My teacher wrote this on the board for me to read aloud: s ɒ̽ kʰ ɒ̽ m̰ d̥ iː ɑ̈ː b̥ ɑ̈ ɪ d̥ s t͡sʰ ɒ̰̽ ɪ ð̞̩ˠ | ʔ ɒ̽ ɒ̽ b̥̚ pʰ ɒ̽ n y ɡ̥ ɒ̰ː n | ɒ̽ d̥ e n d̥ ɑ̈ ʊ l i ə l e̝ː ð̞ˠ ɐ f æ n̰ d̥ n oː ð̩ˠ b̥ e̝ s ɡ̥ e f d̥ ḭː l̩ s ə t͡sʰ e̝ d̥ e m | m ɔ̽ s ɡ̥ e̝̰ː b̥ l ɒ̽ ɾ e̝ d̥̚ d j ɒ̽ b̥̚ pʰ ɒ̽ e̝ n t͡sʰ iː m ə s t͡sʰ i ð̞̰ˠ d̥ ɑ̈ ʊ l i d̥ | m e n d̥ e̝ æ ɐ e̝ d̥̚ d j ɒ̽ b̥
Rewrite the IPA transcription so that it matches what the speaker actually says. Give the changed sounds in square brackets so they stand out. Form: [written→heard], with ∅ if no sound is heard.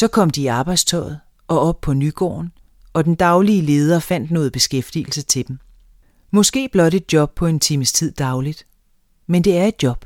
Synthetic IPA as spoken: s ɒ̽ kʰ ɒ̽ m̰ d̥ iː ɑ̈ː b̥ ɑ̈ ɪ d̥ s t͡sʰ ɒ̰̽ ɪ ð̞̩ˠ | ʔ ɒ̽ ɒ̽ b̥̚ pʰ ɒ̽ n y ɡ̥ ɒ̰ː n | ɒ̽ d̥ e n d̥ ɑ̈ ʊ l i ə l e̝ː ð̞ˠ ɐ f æ n̰ d̥ n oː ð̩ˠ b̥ e̝ s ɡ̥ e f d̥ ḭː l̩ s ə t͡sʰ e̝ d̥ e m | m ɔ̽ s ɡ̥ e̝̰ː b̥ l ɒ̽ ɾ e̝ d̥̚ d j ɒ̽ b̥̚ pʰ ɒ̽ e̝ n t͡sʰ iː m ə s t͡sʰ i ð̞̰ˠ d̥ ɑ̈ ʊ l i d̥ | m e n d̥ e̝ æ ɐ e̝ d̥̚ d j ɒ̽ b̥